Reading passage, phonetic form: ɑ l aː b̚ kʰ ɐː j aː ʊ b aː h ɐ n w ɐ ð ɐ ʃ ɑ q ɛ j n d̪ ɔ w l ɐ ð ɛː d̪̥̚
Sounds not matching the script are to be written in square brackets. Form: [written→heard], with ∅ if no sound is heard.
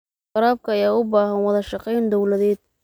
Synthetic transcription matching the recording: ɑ [l→ɾ] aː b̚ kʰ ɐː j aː ʊ b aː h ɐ n w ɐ ð ɐ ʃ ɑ q ɛ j n d̪ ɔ w l ɐ ð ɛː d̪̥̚

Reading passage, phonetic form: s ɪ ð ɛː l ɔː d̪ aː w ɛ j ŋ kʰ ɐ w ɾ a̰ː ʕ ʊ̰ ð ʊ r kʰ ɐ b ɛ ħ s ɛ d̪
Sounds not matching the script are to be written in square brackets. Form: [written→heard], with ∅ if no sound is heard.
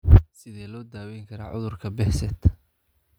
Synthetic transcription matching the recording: s ɪ ð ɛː l ɔː d̪ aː w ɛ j ŋ kʰ ɐ [w→∅] ɾ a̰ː ʕ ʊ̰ ð ʊ r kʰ ɐ b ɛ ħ s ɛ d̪

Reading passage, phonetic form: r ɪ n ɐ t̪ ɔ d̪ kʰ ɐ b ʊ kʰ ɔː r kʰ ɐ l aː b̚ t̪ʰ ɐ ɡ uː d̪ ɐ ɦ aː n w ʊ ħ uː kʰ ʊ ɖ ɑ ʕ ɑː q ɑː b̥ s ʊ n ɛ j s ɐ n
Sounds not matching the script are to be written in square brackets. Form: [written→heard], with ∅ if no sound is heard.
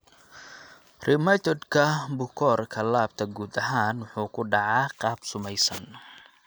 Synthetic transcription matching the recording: r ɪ [n→m] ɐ t̪ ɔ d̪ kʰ ɐ b ʊ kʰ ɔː r kʰ ɐ l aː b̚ t̪ʰ ɐ ɡ uː d̪ ɐ ɦ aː n w ʊ ħ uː kʰ ʊ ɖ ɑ ʕ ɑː q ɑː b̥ s ʊ [n→m] ɛ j s ɐ n

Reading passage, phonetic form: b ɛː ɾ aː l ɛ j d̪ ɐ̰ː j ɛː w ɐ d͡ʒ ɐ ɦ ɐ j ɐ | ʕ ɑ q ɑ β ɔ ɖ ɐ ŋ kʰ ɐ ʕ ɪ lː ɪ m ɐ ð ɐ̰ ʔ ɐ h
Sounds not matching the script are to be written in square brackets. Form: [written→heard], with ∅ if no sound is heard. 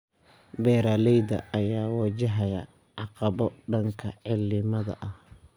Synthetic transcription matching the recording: b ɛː ɾ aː l ɛ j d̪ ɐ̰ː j [ɛː→aː] w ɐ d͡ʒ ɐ ɦ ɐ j ɐ | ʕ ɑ q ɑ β ɔ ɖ ɐ ŋ kʰ ɐ ʕ ɪ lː ɪ m ɐ ð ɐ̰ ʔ ɐ h

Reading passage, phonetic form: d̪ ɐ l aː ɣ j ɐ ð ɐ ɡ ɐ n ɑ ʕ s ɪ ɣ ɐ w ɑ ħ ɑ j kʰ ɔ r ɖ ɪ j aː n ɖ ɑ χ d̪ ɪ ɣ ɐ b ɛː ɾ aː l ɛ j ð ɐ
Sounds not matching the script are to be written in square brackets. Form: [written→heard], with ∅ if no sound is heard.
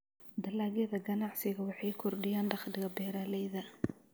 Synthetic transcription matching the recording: d̪ ɐ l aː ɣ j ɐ ð ɐ ɡ ɐ n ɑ ʕ s ɪ ɣ ɐ w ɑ ħ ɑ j kʰ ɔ r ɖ ɪ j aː n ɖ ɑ χ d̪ ɪ ɣ ɐ b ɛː ɾ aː l ɛ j ð ɐ

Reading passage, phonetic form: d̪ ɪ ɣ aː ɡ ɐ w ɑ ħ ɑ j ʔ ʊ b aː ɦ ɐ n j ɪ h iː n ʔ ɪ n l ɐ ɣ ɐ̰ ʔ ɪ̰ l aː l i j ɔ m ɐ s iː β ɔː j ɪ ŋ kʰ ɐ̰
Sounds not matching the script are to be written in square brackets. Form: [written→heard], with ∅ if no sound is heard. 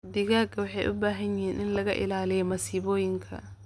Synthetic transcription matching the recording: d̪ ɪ ɣ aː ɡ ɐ w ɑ ħ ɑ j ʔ ʊ b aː ɦ ɐ n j ɪ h iː n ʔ ɪ n l ɐ ɣ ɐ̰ ʔ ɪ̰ l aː l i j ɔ m ɐ s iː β ɔː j ɪ ŋ kʰ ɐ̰

